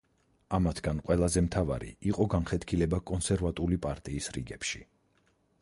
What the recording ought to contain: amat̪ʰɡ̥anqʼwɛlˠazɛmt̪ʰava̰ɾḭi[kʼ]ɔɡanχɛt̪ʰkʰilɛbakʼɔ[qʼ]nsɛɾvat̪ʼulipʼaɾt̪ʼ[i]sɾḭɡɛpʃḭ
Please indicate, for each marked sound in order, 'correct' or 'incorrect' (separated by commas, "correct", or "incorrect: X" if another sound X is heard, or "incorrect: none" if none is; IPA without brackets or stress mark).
incorrect: qʼ, incorrect: none, incorrect: iː